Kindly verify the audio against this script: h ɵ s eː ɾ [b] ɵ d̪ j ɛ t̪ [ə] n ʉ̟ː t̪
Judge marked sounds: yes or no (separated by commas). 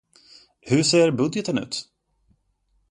yes, yes